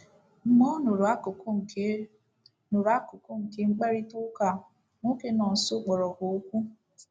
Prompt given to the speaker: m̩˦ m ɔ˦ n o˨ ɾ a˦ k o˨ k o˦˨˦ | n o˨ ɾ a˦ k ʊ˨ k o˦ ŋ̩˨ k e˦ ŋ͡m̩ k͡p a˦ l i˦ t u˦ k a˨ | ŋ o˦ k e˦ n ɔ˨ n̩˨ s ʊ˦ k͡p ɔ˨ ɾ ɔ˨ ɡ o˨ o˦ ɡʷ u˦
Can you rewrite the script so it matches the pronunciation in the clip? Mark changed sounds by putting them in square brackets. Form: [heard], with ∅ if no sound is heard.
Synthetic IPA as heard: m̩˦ m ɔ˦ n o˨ ɾ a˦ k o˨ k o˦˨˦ | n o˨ ɾ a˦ k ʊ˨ k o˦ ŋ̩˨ k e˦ ŋ͡m̩ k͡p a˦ [ɾ] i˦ t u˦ k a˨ | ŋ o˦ k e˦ n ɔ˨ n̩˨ s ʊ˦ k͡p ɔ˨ ɾ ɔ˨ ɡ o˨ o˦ [kʷ] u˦